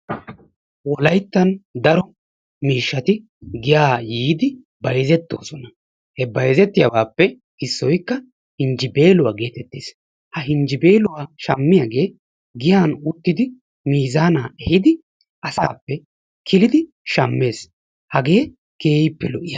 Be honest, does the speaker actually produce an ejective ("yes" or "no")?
no